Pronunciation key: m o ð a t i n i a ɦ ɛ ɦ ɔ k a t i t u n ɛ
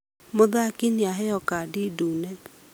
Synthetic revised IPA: m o ð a k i n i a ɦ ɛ ɔ k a d i d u n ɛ